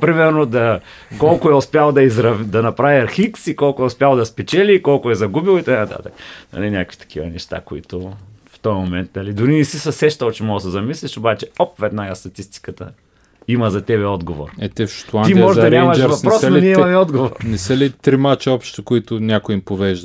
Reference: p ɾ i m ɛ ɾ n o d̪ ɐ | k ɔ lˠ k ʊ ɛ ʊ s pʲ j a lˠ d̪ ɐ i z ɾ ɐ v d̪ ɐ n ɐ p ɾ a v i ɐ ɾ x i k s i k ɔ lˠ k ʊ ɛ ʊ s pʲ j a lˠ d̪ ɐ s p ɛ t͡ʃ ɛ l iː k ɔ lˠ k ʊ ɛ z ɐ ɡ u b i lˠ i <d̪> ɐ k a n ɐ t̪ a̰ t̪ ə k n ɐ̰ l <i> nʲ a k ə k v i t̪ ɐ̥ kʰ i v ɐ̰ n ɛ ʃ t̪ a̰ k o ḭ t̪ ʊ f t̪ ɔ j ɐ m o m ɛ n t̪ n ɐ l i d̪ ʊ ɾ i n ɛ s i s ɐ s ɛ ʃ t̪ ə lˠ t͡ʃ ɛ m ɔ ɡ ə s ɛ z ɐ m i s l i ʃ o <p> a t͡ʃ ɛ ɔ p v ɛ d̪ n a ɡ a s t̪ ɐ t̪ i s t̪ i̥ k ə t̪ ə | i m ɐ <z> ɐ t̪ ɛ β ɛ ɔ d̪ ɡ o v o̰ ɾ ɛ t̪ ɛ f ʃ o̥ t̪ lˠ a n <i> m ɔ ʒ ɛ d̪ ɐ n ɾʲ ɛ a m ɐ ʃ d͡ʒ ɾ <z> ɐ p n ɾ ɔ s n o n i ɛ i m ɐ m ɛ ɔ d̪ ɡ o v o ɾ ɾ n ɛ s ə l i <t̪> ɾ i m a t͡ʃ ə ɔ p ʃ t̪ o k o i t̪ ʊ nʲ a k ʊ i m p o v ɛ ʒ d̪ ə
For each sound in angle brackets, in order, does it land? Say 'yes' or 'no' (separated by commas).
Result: no, yes, no, yes, yes, no, yes